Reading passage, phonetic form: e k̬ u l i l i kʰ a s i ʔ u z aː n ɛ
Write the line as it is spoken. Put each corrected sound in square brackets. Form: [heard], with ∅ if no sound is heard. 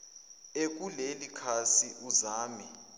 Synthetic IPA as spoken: e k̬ u l [e] l i kʰ a s i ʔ u z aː [m] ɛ

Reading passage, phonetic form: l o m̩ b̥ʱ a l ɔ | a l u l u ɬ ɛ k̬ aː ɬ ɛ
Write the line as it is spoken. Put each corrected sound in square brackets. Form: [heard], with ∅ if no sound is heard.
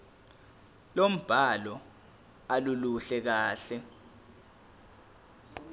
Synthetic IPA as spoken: l o m̩ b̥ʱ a l ɔ | a l u l u ɬ ɛ k̬ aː ɬ ɛ

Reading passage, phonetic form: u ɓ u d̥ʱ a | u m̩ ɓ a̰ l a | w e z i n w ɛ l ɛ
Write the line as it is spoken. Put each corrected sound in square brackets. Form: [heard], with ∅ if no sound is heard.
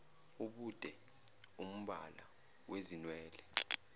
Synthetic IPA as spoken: u ɓ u d̥ʱ [ɛ] | u m̩ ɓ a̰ l a | w e z i n w [ɛː] l ɛ

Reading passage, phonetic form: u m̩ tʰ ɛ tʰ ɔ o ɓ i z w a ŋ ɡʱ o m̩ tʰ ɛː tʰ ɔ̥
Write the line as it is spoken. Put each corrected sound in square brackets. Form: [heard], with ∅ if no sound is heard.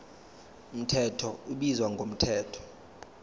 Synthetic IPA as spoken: u m̩ tʰ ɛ tʰ ɔ [u] ɓ i z w a ŋ ɡʱ o m̩ tʰ ɛː tʰ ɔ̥

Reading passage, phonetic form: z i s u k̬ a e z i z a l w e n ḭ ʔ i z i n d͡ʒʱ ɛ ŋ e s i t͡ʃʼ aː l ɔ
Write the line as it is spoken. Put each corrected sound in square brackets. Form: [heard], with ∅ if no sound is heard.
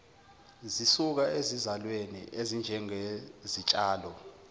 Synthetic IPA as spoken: z i s u k̬ a e z i z a l w e n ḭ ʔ [e] z i n d͡ʒʱ ɛ ŋ e [z] i t͡ʃʼ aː l ɔ

